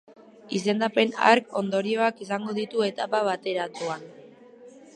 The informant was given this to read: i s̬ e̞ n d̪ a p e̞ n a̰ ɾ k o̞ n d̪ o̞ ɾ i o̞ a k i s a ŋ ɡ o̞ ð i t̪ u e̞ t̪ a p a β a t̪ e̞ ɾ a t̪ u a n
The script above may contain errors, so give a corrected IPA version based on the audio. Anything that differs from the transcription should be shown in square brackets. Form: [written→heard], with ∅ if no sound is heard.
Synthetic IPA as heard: i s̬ e̞ n d̪ a p e̞ n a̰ ɾ k o̞ n d̪ o̞ ɾ i o̞ a k i s a ŋ ɡ o̞ ð i t̪ u e̞ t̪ a p a β a t̪ e̞ ɾ a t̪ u a n